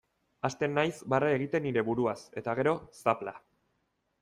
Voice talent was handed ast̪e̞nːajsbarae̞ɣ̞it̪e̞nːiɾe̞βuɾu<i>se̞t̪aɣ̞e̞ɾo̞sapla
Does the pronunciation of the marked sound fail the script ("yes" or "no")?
yes